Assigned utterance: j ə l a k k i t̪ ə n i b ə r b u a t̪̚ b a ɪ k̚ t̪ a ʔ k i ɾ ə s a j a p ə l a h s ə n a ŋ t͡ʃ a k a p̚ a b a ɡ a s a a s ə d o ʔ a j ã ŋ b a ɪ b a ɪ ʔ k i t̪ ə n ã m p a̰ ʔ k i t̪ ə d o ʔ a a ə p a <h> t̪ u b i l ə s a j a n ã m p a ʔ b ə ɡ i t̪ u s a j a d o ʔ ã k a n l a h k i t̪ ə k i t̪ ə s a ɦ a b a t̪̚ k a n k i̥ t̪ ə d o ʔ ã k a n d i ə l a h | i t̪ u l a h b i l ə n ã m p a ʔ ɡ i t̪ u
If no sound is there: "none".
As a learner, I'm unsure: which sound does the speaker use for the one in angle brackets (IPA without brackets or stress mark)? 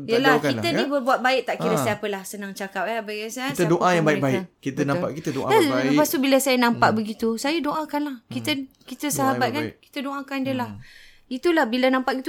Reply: s